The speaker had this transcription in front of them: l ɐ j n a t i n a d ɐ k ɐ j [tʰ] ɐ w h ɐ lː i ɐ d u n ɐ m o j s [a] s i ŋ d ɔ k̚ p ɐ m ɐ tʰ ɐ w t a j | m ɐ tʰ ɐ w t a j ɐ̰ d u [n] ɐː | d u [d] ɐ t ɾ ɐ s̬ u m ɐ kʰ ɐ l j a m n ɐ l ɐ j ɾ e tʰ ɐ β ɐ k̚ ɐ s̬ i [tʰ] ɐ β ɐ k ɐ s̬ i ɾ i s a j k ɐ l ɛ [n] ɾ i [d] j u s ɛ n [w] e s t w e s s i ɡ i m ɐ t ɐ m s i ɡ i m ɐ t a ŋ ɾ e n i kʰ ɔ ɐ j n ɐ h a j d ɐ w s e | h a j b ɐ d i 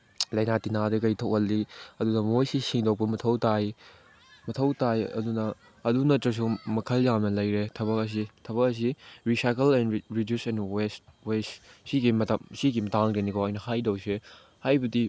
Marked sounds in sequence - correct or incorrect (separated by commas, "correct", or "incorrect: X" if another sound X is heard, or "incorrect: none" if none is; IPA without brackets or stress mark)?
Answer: correct, incorrect: i, correct, incorrect: n, correct, correct, correct, correct